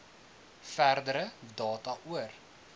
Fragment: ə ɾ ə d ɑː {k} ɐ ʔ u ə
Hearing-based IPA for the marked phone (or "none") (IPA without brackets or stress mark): t